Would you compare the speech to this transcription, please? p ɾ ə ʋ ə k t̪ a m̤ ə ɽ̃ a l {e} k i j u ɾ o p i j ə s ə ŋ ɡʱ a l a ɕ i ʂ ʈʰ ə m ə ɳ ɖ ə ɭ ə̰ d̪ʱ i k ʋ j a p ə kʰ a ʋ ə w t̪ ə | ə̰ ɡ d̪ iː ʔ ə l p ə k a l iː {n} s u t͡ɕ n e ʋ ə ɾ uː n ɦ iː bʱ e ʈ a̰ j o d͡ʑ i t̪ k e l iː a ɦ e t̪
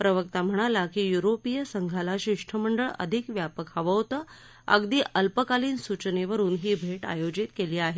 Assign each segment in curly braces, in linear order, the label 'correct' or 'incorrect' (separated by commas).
incorrect, correct